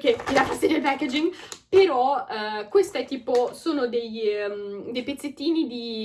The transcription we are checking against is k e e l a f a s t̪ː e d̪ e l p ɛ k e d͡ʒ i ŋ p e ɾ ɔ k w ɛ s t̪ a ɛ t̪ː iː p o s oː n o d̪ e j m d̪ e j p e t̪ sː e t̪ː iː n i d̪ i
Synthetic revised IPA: k e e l a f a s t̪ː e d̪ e l p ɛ k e d͡ʒ i ŋ p e ɾ ɔ k w e s t̪ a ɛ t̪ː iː p o s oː n o d̪ e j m d̪ e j p e t̪ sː e t̪ː iː n i d̪ i